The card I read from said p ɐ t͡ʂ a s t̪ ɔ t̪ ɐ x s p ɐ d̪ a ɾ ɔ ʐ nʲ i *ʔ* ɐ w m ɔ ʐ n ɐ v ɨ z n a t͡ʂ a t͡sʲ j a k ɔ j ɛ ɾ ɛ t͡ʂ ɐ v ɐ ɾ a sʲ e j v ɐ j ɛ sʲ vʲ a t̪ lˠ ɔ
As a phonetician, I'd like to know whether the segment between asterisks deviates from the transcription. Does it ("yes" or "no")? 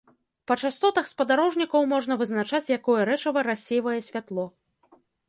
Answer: yes